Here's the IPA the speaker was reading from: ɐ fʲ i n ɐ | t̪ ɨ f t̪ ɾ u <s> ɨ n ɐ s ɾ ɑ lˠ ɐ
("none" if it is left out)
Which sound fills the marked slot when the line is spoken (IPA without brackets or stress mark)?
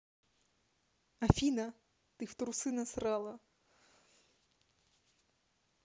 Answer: s